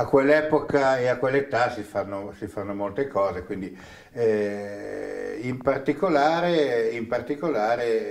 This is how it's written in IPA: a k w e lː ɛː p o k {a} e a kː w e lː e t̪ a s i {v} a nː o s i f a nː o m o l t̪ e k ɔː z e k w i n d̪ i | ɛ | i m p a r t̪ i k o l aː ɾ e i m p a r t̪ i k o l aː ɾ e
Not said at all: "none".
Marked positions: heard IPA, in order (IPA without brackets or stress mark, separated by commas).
a, f